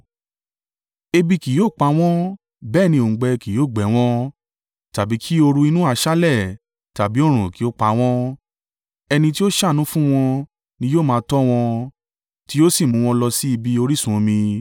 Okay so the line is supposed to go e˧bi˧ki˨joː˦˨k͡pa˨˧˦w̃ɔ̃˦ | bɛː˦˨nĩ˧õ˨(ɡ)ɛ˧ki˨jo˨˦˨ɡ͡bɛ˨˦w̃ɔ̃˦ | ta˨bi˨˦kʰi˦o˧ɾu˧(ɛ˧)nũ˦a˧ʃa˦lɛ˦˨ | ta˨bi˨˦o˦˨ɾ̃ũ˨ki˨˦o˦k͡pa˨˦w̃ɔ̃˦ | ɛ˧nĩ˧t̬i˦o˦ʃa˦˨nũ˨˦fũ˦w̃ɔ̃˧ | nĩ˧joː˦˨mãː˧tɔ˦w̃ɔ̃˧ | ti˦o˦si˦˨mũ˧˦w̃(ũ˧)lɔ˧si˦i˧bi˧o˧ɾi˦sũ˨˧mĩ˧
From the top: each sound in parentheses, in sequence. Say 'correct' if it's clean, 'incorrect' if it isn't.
incorrect: ɡ͡b, incorrect: i˧, incorrect: ɔ̃˧

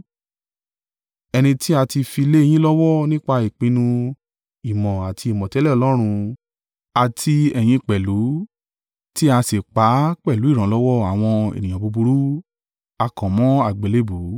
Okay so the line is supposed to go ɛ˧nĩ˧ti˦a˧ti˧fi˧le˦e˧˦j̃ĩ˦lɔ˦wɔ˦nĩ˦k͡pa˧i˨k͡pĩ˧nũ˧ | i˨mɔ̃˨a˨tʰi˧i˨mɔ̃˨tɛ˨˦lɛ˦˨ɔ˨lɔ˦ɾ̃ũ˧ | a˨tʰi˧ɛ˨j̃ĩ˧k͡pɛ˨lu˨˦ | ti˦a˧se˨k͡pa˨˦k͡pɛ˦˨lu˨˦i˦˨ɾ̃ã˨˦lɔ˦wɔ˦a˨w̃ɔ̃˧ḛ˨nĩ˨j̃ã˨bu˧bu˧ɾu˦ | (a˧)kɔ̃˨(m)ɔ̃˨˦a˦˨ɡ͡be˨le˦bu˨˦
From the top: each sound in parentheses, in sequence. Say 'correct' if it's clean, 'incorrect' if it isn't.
correct, correct

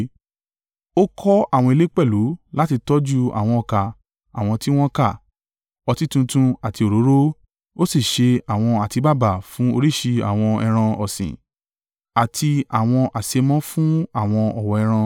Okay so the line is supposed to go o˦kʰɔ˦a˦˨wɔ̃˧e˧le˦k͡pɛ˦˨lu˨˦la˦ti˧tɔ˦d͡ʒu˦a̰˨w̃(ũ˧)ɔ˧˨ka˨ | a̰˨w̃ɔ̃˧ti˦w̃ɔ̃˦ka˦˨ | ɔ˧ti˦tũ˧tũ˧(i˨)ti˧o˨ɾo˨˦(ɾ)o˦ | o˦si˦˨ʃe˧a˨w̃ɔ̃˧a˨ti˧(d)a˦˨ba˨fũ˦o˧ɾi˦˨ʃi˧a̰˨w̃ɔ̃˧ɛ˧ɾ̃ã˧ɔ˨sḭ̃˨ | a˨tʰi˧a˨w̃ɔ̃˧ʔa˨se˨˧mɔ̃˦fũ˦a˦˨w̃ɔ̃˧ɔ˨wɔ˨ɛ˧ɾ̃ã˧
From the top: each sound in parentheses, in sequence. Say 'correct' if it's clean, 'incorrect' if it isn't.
incorrect: ɔ̃˧, incorrect: a˨, correct, incorrect: b

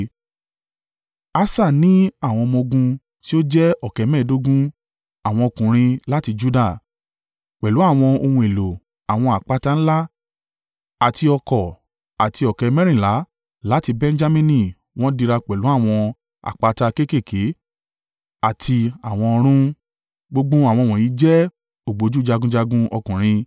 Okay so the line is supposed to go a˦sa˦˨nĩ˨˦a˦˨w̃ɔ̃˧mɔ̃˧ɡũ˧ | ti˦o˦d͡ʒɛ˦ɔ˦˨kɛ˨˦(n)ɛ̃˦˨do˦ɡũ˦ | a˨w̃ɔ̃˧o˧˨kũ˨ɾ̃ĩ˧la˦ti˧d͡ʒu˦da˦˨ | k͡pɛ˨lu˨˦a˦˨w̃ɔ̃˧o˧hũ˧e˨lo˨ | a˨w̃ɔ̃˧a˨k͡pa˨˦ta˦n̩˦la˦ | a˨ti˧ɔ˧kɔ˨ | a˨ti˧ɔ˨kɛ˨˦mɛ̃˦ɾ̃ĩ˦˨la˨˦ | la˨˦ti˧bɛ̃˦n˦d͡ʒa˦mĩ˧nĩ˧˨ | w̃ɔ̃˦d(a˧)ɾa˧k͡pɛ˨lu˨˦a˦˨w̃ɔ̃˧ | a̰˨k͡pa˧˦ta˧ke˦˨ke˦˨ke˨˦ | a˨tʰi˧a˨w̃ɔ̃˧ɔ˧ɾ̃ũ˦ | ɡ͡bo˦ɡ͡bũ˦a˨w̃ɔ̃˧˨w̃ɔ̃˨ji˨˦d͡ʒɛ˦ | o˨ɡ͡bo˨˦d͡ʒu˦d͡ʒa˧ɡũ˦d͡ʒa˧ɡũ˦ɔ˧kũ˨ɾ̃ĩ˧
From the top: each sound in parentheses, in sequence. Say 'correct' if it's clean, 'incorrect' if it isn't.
incorrect: m, incorrect: i˧

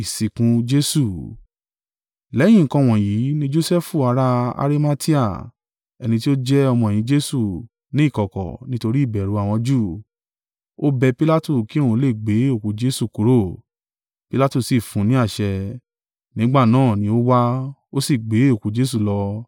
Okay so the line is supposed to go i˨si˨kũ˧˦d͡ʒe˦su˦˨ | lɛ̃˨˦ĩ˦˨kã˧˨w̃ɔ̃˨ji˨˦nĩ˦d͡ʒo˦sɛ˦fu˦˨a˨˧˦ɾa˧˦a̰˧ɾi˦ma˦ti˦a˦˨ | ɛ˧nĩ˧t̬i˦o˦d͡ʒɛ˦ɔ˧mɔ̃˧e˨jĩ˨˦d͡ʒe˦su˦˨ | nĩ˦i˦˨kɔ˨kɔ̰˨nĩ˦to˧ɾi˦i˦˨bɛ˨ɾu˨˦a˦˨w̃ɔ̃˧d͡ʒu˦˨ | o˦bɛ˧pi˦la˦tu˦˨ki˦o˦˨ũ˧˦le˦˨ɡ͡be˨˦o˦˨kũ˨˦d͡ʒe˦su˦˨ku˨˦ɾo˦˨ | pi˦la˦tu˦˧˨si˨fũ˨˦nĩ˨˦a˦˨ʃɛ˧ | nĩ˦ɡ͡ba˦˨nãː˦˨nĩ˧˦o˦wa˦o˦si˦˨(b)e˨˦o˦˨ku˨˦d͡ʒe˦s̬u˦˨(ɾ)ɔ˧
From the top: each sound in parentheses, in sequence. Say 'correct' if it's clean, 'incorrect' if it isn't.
incorrect: ɡ͡b, incorrect: l

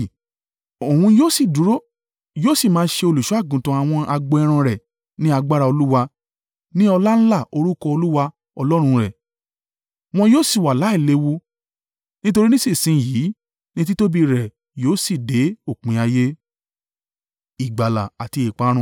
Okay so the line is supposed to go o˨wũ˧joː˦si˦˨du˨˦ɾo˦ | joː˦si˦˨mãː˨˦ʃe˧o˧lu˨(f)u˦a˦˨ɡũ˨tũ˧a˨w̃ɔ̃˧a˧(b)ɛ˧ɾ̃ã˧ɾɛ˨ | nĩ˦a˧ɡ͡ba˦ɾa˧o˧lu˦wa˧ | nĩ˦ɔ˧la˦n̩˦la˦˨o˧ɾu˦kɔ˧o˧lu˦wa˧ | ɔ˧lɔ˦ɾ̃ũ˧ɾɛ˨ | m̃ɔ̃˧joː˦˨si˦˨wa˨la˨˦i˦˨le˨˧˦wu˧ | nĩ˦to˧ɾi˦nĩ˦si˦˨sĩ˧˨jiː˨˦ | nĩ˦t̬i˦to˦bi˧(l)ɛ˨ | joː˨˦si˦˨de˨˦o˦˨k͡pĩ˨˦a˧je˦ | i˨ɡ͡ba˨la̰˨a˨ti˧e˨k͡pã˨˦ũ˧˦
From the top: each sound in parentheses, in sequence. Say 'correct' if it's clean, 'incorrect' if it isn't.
incorrect: ʃ, incorrect: ɡ͡b, incorrect: ɾ

